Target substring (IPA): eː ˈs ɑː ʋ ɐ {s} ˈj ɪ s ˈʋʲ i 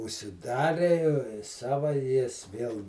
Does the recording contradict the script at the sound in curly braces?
yes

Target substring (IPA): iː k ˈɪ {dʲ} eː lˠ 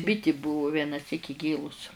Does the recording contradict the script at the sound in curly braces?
yes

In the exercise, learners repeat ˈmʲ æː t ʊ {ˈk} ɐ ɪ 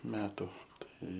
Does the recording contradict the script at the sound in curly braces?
yes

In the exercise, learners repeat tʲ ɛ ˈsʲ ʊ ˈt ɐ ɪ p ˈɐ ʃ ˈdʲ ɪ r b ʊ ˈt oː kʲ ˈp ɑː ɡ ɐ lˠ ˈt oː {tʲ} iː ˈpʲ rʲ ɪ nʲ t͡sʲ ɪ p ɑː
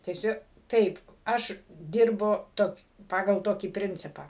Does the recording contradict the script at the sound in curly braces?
yes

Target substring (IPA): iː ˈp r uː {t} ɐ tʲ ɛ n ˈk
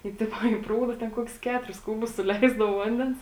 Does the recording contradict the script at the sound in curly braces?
yes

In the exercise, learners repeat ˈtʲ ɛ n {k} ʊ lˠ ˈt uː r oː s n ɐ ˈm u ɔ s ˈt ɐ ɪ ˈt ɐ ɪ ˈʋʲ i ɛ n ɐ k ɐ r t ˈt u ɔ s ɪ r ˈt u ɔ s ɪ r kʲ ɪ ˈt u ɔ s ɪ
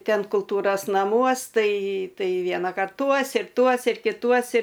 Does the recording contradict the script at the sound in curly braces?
no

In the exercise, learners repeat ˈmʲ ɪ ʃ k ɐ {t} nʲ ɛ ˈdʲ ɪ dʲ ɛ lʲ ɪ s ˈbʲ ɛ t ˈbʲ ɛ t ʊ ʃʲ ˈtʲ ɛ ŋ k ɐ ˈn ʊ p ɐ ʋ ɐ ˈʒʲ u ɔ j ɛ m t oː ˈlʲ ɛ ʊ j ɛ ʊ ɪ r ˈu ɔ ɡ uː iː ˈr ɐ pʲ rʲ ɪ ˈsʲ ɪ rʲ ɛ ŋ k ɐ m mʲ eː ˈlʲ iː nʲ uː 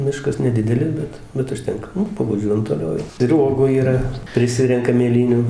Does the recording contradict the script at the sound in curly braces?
yes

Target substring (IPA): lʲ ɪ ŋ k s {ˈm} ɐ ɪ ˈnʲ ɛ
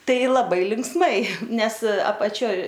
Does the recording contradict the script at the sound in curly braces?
no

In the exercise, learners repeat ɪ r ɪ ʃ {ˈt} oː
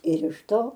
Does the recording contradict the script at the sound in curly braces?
no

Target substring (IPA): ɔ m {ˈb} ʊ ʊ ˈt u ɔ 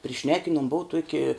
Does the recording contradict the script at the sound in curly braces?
no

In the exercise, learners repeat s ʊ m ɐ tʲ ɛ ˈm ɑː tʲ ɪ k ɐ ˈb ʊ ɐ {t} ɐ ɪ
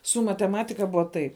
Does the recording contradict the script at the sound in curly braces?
no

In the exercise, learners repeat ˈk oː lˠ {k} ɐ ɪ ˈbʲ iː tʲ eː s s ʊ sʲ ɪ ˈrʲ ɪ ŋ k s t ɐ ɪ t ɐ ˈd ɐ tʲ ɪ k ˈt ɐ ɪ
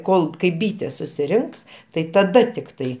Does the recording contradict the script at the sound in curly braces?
no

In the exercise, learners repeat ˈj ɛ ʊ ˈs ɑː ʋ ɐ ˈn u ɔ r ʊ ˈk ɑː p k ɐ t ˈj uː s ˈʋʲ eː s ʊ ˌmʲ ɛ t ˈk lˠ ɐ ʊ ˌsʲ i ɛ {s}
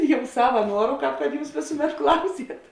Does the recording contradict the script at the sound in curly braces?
yes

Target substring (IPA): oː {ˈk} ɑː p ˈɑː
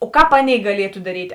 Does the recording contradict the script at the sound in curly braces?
no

